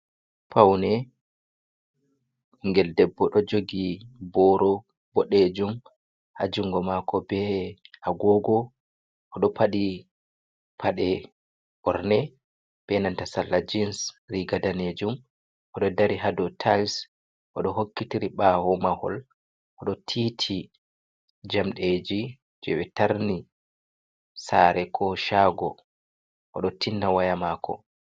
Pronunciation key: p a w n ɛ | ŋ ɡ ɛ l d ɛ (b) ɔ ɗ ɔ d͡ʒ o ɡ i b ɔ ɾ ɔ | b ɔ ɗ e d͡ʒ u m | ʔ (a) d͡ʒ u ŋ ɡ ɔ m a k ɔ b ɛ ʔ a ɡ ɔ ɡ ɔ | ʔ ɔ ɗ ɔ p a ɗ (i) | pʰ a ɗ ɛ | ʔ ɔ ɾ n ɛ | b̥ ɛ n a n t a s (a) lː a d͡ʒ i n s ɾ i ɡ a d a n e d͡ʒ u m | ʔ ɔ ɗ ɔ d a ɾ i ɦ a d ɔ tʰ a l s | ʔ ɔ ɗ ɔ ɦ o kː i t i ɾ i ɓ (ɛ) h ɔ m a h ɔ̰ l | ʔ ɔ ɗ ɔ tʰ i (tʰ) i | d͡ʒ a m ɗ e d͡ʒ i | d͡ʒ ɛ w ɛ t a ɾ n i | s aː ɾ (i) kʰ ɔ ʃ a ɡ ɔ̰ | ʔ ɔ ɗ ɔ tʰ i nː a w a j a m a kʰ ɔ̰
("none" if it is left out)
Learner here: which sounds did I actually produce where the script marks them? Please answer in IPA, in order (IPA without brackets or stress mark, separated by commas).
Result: bː, a, i, a, a, tʰ, ɛ